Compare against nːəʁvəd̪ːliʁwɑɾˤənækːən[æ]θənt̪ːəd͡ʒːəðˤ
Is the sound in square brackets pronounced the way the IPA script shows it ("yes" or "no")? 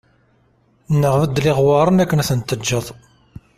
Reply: yes